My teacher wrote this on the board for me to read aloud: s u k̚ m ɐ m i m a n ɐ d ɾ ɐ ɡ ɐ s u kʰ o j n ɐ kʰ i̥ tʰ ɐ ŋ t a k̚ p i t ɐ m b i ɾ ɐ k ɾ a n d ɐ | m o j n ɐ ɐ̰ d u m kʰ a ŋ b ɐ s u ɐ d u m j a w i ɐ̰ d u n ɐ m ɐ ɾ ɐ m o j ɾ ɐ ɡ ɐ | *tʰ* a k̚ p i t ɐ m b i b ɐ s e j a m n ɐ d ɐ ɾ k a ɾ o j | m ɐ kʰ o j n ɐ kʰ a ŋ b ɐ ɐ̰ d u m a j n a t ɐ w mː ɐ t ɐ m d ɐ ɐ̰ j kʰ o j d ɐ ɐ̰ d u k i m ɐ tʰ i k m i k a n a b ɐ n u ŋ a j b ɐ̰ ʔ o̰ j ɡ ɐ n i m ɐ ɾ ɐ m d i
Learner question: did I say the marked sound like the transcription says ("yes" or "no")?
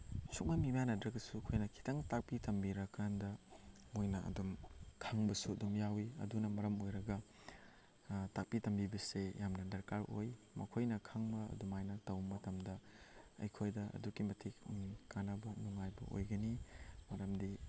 no